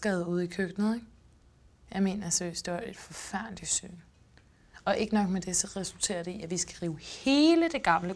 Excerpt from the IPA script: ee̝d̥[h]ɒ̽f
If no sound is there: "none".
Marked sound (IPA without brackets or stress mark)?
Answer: f